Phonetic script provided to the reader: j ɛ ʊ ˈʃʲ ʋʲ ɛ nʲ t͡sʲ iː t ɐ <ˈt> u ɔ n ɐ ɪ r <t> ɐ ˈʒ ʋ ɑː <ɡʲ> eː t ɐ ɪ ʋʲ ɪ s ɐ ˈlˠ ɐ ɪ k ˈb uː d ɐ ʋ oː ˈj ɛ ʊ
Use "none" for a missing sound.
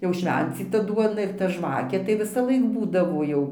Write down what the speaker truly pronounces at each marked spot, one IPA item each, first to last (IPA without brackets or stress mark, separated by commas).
d, t, kʲ